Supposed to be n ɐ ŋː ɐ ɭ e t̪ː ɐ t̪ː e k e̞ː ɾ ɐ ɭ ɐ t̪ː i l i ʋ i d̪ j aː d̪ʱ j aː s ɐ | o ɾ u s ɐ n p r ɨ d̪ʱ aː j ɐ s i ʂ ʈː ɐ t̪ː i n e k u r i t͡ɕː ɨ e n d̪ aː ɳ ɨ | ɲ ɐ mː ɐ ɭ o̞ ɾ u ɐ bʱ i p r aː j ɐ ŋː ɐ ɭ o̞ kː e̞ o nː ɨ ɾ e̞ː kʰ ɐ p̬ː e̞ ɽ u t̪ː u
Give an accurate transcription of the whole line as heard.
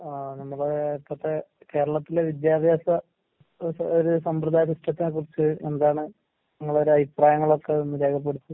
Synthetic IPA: n ɐ mː ɐ ɭ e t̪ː ɐ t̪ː e k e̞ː ɾ ɐ ɭ ɐ t̪ː i l e ʋ i d̪ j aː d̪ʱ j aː s ɐ | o ɾ u s ɐ m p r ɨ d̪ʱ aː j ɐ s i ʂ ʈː ɐ t̪ː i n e k u r i t͡ɕː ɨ e n d̪ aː ɳ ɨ | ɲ ɐ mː ɐ ɭ o̞ ɾ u ɐ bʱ i p r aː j ɐ ŋː ɐ ɭ o̞ kː e̞ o nː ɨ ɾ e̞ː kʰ ɐ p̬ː e̞ ɽ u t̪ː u